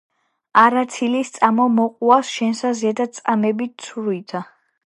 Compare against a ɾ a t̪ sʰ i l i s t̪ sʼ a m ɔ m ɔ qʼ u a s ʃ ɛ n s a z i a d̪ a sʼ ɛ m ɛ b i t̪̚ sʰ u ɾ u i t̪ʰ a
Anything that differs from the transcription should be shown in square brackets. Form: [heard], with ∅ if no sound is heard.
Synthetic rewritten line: a ɾ a t̪ sʰ i l i s t̪ sʼ a m ɔ m ɔ qʼ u a s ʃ ɛ n s a z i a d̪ a sʼ [a] m ɛ b i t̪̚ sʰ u ɾ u i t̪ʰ a